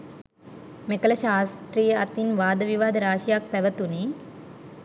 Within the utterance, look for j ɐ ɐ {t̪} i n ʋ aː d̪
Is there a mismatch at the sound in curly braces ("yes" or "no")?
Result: no